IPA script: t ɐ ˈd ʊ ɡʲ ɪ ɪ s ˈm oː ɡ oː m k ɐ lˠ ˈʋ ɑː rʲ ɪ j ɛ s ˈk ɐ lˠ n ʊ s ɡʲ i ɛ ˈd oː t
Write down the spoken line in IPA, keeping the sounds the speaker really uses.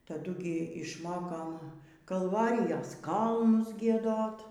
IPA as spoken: t ɐ ˈd ʊ ɡʲ ɪ ɪ ʃ ˈm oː k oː m k ɐ lˠ ˈʋ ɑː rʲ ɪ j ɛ s ˈk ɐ lˠ n ʊ s ɡʲ i ɛ ˈd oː t